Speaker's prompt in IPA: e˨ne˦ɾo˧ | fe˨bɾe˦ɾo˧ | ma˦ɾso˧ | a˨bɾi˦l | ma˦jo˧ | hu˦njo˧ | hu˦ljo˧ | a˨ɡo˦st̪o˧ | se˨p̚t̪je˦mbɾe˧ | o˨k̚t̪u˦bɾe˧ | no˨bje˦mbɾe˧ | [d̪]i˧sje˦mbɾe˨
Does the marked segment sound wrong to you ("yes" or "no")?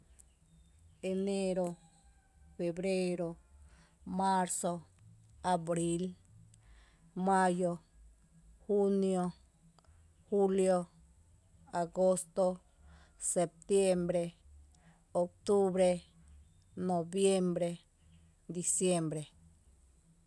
no